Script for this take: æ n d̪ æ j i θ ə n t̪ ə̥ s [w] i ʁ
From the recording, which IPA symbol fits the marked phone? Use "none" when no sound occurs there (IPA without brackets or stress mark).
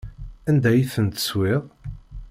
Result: w